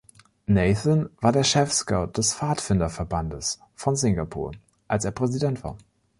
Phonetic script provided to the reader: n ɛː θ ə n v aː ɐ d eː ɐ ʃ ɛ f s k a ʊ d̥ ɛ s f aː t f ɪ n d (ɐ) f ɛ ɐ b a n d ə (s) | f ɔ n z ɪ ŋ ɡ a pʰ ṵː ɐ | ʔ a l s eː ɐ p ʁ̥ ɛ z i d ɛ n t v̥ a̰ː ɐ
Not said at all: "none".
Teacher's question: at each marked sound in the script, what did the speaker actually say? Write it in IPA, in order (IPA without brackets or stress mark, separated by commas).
ɐ, s